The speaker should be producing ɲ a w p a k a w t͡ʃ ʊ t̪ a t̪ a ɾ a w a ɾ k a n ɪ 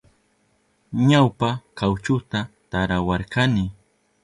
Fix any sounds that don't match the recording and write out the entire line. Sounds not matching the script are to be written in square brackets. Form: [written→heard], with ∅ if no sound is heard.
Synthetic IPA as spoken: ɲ a w p a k a w t͡ʃ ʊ t̪ a t̪ a ɾ a w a ɾ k a n ɪ